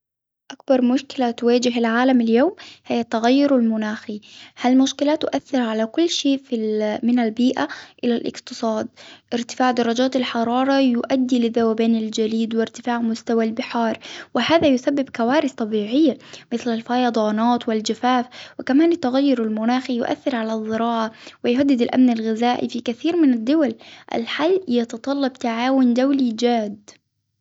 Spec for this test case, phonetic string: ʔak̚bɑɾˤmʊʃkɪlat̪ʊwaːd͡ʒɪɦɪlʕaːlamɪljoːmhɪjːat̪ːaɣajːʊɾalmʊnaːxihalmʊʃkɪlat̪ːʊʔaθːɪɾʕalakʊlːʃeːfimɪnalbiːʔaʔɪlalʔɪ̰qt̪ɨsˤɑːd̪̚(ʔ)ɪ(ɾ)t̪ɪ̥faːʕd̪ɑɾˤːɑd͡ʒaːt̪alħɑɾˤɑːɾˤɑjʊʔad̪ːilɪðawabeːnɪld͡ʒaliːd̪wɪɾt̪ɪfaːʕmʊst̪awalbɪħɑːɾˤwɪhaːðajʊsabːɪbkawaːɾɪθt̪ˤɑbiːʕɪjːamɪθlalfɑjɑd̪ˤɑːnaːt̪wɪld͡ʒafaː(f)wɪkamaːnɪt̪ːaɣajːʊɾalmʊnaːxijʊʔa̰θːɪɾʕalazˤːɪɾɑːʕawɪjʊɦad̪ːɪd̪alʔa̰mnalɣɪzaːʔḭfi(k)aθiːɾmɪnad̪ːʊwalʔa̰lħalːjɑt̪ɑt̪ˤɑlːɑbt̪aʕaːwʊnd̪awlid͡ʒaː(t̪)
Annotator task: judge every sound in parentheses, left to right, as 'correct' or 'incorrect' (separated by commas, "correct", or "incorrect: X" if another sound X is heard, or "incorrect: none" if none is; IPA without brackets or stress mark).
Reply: correct, correct, correct, correct, incorrect: d̪